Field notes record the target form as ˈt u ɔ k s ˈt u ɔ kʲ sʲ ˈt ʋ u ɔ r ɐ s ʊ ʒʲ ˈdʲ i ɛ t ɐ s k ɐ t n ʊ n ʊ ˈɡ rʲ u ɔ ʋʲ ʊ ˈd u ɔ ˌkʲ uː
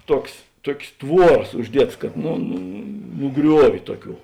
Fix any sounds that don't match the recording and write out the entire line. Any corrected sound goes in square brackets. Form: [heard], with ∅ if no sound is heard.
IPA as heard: ˈt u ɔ k s ˈt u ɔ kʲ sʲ ˈt ʋ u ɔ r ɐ s ʊ ʒʲ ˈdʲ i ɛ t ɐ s k ɐ t n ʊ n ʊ ˈɡ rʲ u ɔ ʋʲ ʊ [ˈt] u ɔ ˌkʲ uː